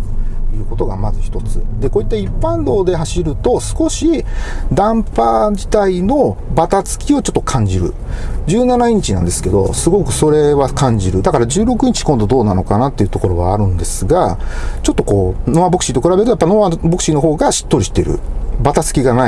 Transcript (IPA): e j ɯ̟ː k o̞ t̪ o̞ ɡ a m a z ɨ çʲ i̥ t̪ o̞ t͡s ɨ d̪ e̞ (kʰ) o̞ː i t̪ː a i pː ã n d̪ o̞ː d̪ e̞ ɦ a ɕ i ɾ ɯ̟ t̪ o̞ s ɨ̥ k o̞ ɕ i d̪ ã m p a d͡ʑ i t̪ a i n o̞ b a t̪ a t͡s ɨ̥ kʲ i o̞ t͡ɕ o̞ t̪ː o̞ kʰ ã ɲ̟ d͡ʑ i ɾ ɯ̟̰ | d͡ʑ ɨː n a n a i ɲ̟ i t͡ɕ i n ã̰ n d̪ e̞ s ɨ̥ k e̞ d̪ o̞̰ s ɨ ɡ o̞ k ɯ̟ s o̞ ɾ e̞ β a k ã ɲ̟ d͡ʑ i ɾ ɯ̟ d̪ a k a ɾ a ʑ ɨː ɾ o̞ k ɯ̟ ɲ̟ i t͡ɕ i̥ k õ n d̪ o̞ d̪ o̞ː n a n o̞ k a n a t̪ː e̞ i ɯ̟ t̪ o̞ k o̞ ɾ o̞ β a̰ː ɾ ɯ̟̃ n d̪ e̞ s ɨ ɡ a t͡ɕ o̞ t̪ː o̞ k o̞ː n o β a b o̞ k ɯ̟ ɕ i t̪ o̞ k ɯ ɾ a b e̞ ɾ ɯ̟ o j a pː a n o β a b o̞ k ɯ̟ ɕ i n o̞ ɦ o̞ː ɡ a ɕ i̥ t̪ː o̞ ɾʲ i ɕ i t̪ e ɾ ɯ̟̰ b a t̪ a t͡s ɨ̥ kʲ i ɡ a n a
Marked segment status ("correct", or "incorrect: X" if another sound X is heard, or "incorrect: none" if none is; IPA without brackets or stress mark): incorrect: k